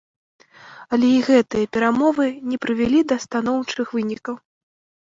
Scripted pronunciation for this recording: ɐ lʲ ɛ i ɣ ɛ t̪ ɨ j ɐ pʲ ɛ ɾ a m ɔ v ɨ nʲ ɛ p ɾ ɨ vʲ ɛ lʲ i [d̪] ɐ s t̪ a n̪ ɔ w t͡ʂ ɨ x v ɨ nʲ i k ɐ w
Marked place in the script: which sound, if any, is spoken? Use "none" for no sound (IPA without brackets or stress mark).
d̪